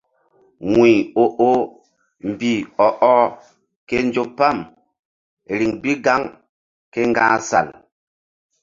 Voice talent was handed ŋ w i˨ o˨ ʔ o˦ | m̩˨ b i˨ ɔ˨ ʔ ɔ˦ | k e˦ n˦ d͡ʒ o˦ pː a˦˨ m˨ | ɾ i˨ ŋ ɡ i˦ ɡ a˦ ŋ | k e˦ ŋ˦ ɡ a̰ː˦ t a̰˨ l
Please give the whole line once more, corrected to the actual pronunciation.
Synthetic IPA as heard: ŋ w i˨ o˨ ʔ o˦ | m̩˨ b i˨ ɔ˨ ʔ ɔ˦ | k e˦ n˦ d͡ʒ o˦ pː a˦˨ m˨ | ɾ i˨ ŋ b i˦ ɡ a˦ ŋ | k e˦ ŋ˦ ɡ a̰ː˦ s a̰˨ l